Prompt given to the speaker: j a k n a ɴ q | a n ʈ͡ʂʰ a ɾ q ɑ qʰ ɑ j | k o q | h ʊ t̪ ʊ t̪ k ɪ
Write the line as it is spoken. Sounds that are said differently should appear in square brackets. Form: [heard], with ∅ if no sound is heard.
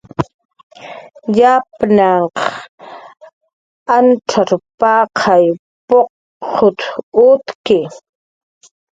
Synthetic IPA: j a [p] n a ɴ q | a n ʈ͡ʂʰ a ɾ [p] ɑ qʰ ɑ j | [p] o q | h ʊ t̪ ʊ t̪ k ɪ